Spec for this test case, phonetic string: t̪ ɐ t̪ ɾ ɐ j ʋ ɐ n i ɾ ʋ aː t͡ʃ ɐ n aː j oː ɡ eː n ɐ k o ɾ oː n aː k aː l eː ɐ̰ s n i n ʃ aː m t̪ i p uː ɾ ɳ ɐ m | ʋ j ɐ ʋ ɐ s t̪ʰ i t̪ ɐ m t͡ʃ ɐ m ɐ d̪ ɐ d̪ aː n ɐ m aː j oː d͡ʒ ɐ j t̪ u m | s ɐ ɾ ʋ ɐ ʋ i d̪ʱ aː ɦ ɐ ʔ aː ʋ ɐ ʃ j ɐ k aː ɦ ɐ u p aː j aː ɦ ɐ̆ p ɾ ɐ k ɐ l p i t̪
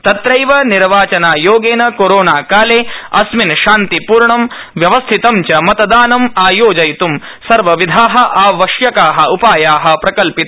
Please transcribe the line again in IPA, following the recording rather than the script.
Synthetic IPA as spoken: t̪ ɐ t̪ ɾ ɐ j ʋ ɐ n i ɾ ʋ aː t͡ʃ ɐ n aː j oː ɡ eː n ɐ k o ɾ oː n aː k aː l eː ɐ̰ s m i n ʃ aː n t̪ i p uː ɾ ɳ ɐ m | ʋ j ɐ ʋ ɐ s t̪ʰ i t̪ ɐ m t͡ʃ ɐ m ɐ t̪ ɐ d̪ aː n ɐ m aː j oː d͡ʒ ɐ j t̪ u m | s ɐ ɾ ʋ ɐ ʋ i d̪ʱ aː ɦ ɐ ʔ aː ʋ ɐ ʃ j ɐ k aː ɦ ɐ u p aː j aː ɦ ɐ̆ p ɾ ɐ k ɐ l p i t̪